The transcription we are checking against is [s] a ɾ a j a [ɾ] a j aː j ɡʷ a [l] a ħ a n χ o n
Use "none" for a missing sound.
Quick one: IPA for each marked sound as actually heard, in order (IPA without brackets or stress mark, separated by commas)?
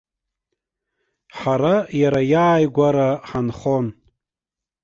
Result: ħ, ɾ, ɾ